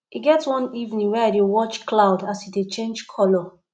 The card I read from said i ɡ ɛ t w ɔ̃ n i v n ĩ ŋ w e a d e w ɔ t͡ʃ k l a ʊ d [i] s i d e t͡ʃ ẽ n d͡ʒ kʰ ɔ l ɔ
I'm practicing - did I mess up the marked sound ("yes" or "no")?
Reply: yes